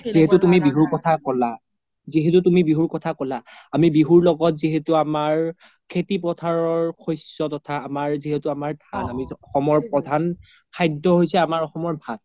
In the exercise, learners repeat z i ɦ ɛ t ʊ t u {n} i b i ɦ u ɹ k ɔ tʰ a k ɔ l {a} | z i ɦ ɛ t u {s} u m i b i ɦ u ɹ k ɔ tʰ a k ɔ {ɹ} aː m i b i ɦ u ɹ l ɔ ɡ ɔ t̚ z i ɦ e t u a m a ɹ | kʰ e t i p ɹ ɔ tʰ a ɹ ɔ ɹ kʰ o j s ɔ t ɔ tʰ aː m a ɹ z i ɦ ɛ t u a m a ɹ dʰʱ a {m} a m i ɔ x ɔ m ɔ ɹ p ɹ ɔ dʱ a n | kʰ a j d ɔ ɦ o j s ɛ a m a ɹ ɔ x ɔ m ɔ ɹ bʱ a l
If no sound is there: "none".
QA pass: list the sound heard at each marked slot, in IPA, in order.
m, a, t, l, n

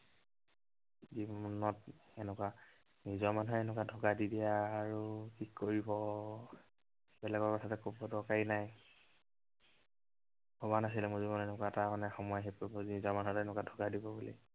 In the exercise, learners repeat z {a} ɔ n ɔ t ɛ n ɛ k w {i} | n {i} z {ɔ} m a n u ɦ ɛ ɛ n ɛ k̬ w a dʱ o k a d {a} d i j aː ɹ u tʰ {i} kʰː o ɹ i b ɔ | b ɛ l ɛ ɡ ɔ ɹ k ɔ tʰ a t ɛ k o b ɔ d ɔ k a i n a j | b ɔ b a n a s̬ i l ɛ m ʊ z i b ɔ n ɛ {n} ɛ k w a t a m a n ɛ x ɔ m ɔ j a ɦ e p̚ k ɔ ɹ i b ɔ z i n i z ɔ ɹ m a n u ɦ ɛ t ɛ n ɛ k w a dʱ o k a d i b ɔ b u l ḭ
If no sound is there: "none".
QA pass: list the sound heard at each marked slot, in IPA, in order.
i, a, i, ɔ, i, i, n

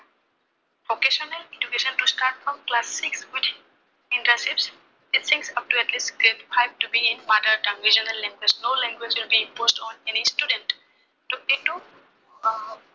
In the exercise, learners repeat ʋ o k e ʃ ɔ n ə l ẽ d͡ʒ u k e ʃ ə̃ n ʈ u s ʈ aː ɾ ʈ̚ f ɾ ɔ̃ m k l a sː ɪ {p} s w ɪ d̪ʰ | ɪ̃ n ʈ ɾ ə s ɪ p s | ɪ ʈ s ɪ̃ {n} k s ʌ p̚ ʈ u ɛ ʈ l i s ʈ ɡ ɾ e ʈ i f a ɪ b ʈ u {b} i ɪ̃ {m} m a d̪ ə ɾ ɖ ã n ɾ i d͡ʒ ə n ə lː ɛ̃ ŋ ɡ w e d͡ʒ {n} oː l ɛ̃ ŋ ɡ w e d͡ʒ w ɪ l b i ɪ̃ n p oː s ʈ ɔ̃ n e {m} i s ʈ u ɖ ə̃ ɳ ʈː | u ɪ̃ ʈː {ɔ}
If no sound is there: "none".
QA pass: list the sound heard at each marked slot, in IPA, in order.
k, ŋ, b, n, n, n, u

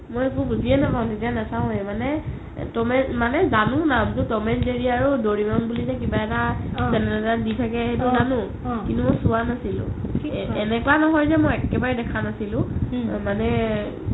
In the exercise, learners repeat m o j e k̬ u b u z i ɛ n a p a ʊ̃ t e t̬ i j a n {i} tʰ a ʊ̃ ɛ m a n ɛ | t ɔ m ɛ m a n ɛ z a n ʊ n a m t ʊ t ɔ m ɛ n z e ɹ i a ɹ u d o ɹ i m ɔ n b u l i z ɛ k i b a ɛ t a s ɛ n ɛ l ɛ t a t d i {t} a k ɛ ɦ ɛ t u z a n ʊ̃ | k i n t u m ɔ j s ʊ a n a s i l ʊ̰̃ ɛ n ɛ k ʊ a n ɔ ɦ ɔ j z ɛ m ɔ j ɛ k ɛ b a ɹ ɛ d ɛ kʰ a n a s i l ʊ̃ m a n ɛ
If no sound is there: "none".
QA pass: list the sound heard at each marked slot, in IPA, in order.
a, tʰ

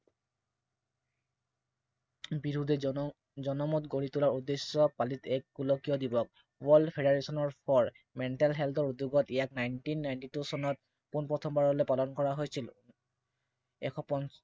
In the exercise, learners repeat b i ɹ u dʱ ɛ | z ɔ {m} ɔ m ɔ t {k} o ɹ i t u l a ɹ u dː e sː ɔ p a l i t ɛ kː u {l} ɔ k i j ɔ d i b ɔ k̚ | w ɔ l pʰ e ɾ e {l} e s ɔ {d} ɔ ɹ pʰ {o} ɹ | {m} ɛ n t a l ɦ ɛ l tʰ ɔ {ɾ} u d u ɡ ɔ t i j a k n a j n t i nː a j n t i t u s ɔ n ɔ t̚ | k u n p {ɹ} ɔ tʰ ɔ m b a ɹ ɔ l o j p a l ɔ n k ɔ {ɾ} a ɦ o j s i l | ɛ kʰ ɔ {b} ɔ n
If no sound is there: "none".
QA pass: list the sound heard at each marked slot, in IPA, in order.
n, ɡ, l, ɹ, n, ɔ, m, ɹ, ɹ, ɹ, p

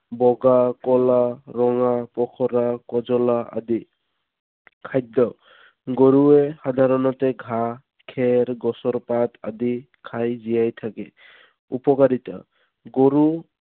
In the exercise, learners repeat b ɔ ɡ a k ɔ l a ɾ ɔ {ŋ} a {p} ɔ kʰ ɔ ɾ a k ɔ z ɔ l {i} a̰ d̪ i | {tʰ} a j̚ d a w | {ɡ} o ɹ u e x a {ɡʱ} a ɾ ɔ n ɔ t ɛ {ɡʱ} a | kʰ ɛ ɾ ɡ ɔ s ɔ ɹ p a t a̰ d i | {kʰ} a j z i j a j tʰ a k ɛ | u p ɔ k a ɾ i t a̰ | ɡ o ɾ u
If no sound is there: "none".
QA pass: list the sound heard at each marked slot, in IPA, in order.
ŋ, p, a, kʰ, ɡ, dʱ, ɡʱ, kʰ

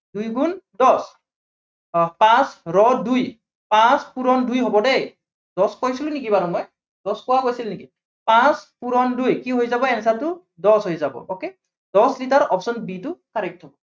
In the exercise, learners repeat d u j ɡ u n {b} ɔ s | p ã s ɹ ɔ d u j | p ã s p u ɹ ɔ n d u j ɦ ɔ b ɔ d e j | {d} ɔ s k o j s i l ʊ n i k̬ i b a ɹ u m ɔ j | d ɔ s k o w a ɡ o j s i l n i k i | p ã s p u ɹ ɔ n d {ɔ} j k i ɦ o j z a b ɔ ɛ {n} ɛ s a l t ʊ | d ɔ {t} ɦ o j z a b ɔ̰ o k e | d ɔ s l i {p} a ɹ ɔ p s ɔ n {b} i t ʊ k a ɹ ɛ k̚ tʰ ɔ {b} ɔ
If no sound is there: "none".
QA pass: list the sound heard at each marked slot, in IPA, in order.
d, d, u, n, s, t, b, b

